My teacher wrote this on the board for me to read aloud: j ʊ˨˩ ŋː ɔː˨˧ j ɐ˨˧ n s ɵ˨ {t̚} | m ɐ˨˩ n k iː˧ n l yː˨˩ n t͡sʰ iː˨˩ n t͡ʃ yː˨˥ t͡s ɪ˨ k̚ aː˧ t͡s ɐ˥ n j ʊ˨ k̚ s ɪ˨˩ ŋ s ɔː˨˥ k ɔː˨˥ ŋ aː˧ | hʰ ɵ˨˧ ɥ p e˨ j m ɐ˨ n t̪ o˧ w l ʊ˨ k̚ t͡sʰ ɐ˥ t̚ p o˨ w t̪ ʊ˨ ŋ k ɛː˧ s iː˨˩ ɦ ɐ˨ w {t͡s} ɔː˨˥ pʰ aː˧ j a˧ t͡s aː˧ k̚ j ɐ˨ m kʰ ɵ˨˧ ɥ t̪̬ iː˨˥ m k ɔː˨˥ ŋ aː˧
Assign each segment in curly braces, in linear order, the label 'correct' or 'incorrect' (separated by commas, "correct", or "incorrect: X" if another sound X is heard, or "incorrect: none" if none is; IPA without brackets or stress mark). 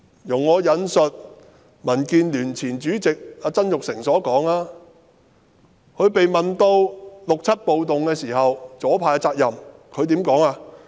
correct, correct